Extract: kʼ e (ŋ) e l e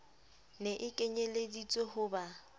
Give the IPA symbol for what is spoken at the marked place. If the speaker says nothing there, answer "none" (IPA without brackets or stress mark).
ɲ